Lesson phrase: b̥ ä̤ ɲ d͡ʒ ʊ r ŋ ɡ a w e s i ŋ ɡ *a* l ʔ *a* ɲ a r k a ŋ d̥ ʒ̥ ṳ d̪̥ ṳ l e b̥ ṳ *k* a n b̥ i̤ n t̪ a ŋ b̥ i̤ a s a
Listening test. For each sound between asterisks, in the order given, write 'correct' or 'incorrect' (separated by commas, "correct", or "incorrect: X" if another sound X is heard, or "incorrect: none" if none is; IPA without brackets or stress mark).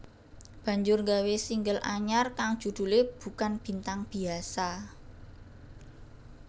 incorrect: ə, correct, correct